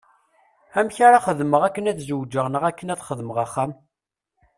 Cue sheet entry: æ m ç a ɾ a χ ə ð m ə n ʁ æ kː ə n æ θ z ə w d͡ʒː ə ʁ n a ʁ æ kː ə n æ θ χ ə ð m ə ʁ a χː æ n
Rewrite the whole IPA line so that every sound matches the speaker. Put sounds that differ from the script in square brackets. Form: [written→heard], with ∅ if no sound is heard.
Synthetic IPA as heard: æ m ç a ɾ a χ ə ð m ə [n→∅] ʁ æ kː ə n æ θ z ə w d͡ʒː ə ʁ n [a→ə] ʁ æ kː ə n æ θ χ ə ð m ə ʁ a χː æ [n→m]